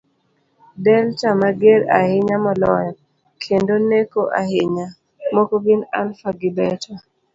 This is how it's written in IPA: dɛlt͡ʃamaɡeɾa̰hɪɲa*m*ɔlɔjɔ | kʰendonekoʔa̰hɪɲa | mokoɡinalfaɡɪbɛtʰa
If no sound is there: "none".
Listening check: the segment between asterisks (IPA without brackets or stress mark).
m